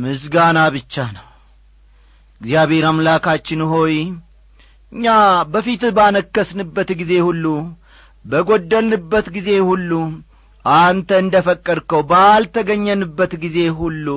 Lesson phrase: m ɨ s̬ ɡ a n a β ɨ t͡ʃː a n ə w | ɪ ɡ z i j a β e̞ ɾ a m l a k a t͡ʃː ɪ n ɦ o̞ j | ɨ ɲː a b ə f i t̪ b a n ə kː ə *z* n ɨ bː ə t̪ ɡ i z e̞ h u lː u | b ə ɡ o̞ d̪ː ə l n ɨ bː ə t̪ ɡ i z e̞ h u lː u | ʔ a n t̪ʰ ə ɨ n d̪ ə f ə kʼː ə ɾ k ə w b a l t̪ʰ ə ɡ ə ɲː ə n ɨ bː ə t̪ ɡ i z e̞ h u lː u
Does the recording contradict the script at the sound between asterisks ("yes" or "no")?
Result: yes